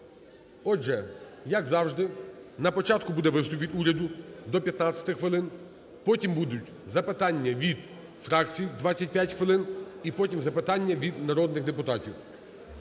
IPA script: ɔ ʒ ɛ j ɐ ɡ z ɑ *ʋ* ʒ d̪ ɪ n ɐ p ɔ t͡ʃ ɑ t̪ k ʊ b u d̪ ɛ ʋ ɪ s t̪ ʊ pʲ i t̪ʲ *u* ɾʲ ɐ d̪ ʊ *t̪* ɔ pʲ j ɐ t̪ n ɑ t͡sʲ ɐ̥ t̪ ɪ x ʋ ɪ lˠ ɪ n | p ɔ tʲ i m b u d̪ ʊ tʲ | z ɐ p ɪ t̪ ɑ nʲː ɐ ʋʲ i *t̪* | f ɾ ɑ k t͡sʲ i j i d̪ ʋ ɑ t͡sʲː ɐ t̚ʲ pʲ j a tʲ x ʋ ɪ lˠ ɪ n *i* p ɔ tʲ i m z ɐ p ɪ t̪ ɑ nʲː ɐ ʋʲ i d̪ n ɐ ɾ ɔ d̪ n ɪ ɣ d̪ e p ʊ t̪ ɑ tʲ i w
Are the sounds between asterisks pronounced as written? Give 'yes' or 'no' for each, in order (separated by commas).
no, yes, no, no, yes